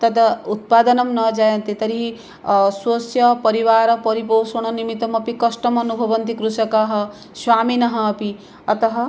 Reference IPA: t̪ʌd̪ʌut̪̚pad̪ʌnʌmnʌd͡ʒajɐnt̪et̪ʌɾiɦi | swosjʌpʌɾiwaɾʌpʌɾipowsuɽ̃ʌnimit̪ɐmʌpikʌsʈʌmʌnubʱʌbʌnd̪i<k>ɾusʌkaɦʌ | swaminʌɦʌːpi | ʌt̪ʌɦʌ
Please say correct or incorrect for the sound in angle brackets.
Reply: correct